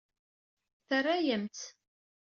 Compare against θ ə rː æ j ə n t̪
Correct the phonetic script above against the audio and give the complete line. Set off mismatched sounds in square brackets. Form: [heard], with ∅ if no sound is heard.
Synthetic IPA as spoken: θ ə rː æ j ə [m] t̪